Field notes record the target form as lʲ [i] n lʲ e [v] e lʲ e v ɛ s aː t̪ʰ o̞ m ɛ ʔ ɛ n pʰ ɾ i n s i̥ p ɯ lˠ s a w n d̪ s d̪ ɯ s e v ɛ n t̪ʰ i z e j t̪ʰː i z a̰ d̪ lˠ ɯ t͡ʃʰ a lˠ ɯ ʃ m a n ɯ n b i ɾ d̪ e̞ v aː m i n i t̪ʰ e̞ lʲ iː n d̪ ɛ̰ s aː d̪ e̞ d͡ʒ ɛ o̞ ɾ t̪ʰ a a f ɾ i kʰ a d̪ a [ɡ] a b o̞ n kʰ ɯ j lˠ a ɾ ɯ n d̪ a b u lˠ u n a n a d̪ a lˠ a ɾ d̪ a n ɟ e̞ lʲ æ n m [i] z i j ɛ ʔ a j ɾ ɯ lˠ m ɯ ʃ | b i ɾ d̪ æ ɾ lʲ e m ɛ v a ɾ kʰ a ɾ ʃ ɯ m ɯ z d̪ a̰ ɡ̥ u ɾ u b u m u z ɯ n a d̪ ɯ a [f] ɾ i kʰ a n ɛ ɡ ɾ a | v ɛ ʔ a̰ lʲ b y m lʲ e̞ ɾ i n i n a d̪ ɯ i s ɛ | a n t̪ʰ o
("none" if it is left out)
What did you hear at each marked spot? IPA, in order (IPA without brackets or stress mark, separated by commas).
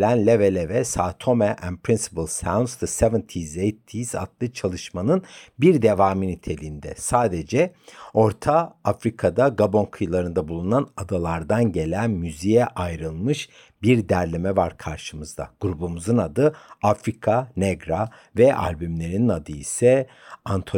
æ, v, ɡ, y, f